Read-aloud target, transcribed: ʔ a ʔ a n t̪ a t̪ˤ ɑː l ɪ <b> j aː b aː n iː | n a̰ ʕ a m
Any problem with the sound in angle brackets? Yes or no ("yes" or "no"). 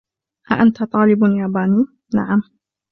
no